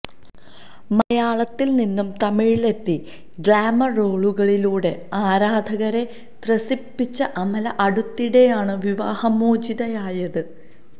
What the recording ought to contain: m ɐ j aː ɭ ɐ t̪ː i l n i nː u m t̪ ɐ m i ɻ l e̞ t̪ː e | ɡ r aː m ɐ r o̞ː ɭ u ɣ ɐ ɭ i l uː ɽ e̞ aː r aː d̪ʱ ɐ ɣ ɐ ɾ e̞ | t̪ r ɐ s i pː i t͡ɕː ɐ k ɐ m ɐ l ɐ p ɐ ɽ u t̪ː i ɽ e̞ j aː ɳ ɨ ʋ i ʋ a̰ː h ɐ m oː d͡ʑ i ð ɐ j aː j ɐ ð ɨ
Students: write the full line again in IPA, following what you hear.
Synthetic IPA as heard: m ɐ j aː ɭ ɐ t̪ː i l n i nː u m t̪ ɐ m i ɻ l e̞ t̪ː i | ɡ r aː m ɐ r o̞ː ɭ u ɣ ɐ ɭ i l uː ɽ e̞ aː ɾ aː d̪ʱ ɐ ɣ ɐ ɾ e̞ | t̪ r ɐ s i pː i t͡ɕː ɐ ʔ ɐ m ɐ l ɐ ʔ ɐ ɽ u t̪ː i ɽ e̞ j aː ɳ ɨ ʋ i ʋ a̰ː h ɐ m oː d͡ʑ i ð ɐ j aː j ɐ ð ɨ